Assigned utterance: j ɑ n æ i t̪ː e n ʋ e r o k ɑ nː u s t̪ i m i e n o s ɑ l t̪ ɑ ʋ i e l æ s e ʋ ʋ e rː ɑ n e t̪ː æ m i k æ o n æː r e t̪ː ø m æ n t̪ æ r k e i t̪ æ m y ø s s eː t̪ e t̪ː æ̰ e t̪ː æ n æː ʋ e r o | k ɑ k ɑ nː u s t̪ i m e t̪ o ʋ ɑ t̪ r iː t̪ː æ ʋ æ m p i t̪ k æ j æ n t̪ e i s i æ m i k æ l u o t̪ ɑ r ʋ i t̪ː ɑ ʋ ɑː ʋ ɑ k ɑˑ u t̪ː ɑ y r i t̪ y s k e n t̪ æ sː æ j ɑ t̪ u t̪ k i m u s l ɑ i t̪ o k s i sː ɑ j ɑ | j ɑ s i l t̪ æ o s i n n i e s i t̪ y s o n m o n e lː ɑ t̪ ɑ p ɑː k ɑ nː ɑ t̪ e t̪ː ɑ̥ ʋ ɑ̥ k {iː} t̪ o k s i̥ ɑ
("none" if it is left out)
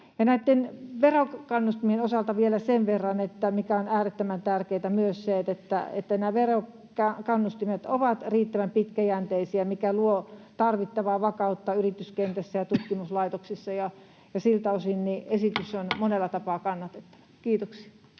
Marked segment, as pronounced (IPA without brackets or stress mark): iː